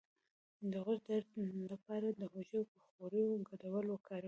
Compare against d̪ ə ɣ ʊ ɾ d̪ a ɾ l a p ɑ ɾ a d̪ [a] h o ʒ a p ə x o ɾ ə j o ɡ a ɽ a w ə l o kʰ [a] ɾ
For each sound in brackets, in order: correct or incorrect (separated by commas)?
incorrect, incorrect